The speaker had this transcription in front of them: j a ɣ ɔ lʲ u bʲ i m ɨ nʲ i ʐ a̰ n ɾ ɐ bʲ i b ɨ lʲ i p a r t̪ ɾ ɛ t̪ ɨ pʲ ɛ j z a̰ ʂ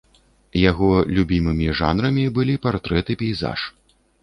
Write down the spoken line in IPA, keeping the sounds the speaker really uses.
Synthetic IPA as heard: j a ɣ ɔ lʲ u bʲ i m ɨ mʲ i ʐ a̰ n ɾ ɐ mʲ i b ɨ lʲ i p a r t̪ ɾ ɛ t̪ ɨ pʲ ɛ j z a̰ ʂ

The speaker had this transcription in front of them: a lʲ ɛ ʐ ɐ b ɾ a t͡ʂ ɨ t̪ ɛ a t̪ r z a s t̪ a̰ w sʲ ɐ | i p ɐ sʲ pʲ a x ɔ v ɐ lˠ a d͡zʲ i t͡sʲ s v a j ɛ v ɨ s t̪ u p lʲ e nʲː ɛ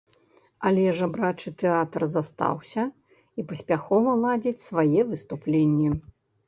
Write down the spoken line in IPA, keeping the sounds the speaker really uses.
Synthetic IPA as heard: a lʲ ɛ ʐ ɐ b ɾ a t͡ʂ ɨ t̪ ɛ a t̪ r z a s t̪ a̰ w sʲ ɐ | i p ɐ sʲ pʲ a x ɔ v ɐ lˠ a d͡zʲ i t͡sʲ s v a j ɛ v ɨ s t̪ u p lʲ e nʲː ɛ

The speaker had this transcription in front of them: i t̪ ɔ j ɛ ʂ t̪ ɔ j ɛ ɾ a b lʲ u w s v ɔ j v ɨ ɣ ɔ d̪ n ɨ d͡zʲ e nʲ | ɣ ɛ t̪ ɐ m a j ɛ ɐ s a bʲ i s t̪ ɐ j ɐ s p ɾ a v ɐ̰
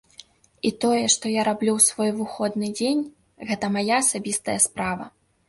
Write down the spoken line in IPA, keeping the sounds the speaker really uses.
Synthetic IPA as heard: i t̪ ɔ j ɛ ʂ t̪ ɔ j a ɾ a b lʲ u w s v ɔ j v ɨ x ɔ d̪ n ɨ d͡zʲ e nʲ | ɣ ɛ t̪ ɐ m a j a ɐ s a bʲ i s t̪ ɐ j ɐ s p ɾ a v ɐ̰

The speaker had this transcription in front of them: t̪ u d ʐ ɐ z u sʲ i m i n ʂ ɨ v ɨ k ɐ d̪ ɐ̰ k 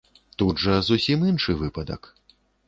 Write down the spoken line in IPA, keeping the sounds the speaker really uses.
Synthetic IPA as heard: t̪ u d ʐ ɐ z u sʲ i m i n ʂ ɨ v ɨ p ɐ d̪ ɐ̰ k

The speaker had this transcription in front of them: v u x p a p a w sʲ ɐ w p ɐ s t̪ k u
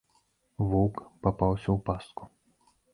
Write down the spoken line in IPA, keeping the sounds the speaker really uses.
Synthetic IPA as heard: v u k p a p a w sʲ ɐ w p a s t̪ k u

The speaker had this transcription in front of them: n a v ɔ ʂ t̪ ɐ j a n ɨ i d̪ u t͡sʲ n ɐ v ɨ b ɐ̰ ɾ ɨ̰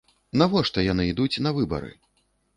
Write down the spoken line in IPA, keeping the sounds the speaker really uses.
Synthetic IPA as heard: n a v ɔ ʂ t̪ ɐ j a n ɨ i d̪ u t͡sʲ n ɐ v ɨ b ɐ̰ ɾ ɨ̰

